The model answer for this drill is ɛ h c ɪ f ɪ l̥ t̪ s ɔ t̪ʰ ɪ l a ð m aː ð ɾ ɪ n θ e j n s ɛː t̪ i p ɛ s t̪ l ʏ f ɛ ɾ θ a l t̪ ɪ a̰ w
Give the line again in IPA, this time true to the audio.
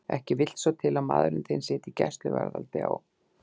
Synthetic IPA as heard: ɛ h c ɪ v ɪ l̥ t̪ s ɔ t̪ʰ ɪ l a ð m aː ð ɾ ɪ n θ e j n s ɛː t̪ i c ɛ s t̪ l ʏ v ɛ ɾ ð a l t̪ ɪ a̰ w